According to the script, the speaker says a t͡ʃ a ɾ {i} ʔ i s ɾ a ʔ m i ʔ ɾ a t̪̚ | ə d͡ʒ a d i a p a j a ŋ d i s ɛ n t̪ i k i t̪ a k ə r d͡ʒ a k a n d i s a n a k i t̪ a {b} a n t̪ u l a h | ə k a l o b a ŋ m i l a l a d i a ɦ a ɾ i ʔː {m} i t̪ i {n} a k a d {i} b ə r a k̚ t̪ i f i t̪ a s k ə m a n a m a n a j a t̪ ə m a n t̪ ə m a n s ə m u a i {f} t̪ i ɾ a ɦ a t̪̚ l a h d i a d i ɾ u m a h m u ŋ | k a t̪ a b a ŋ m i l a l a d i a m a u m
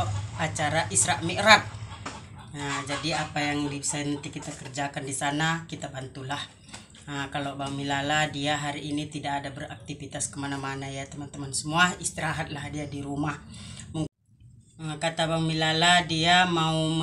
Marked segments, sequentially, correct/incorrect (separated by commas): incorrect, correct, incorrect, incorrect, incorrect, incorrect